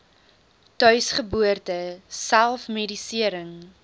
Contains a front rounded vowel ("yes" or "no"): yes